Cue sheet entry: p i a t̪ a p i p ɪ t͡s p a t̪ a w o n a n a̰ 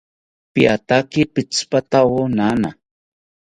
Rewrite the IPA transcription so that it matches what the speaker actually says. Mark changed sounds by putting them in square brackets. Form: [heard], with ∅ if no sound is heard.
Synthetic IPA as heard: p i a t̪ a [k] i p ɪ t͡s p a t̪ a w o n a n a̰

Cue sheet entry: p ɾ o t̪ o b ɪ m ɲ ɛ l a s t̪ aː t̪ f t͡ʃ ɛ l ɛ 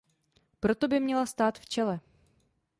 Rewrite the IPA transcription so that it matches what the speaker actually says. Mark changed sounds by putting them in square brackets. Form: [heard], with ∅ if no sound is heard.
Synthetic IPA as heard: p ɾ o t̪ o b ɪ m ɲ ɛ l a s t̪ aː t̪ f t͡ʃ ɛ l ɛ

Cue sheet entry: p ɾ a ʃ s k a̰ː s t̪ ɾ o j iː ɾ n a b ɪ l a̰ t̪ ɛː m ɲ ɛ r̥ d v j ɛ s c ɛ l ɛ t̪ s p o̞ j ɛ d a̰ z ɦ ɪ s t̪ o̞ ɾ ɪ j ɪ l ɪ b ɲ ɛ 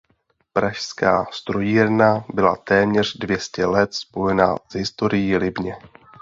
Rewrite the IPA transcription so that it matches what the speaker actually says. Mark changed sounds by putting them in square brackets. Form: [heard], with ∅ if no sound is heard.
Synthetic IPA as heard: p ɾ a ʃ s k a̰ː s t̪ ɾ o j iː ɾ n a b ɪ l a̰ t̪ ɛː m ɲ ɛ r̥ d v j ɛ s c ɛ l ɛ t̪ s p o̞ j ɛ [n] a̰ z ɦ ɪ s t̪ o̞ ɾ ɪ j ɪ l ɪ b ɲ ɛ

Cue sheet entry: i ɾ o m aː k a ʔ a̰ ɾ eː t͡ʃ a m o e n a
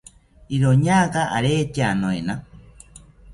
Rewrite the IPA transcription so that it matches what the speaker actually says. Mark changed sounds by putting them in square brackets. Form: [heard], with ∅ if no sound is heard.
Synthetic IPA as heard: i ɾ o [ɲ] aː k a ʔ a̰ ɾ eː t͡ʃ a [n] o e n a

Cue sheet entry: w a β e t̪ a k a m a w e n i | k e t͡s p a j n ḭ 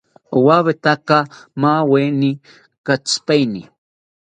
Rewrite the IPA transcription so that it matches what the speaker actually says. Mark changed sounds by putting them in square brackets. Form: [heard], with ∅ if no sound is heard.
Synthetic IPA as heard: w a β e t̪ a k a m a w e n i | k [a] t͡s p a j n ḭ

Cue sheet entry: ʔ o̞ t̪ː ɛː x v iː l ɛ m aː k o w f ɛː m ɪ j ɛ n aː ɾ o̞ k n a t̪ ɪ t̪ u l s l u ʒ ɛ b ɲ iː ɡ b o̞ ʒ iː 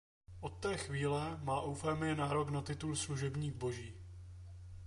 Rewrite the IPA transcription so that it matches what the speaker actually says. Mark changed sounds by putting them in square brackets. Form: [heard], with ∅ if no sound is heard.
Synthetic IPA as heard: ʔ o̞ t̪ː ɛː x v iː l ɛ m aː [ʔ] o w f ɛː m ɪ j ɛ n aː ɾ o̞ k n a t̪ ɪ t̪ u l s l u ʒ ɛ b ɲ iː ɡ b o̞ ʒ iː

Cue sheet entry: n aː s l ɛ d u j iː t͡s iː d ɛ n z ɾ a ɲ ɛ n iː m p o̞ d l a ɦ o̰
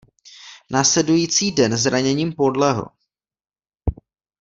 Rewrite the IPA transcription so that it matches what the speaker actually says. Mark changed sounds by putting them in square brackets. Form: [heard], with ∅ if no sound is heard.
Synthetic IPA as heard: n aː s l ɛ d u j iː t͡s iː d ɛ n z ɾ a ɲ ɛ [ɲ] iː m p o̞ d l [ɛ] ɦ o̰

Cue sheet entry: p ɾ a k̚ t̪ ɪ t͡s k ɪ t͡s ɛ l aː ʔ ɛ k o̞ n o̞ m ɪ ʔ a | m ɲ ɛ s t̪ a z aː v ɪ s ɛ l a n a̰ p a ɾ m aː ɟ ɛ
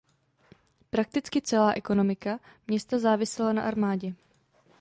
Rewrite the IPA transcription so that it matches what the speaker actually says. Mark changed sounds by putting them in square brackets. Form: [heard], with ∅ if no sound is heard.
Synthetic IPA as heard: p ɾ a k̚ t̪ ɪ t͡s k ɪ t͡s ɛ l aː ʔ ɛ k o̞ n o̞ m ɪ [k] a | m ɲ ɛ s t̪ a z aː v ɪ s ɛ l a n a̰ [ʔ] a ɾ m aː ɟ ɛ

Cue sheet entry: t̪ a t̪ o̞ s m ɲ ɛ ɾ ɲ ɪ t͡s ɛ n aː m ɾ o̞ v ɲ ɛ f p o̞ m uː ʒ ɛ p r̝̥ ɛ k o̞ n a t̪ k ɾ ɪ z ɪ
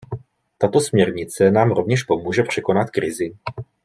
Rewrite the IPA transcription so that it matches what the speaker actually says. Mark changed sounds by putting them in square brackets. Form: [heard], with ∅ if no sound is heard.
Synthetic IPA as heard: t̪ a t̪ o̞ s m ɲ ɛ ɾ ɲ ɪ t͡s ɛ n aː m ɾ o̞ v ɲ ɛ [ʃ] p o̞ m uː ʒ ɛ p r̝̥ ɛ k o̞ n a t̪ k ɾ ɪ z ɪ

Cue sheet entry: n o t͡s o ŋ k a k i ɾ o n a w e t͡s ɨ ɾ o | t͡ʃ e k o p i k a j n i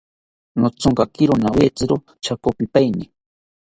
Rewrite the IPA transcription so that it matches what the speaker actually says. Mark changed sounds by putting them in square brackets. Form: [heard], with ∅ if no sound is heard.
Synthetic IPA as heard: n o t͡s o ŋ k a k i ɾ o n a w e t͡s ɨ ɾ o | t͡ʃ [a] k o p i [p] a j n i

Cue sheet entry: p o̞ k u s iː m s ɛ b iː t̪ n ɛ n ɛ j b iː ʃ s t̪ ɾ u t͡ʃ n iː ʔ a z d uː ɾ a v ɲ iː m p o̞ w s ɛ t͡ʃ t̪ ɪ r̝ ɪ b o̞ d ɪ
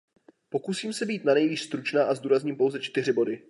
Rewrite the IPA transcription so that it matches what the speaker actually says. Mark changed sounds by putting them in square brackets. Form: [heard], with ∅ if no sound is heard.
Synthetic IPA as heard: p o̞ k u s iː m s ɛ b iː t̪ n [a] n ɛ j [v] iː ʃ s t̪ ɾ u t͡ʃ n [aː] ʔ a z d uː ɾ a [z] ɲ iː m p o̞ w [z] ɛ t͡ʃ t̪ ɪ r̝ ɪ b o̞ d ɪ

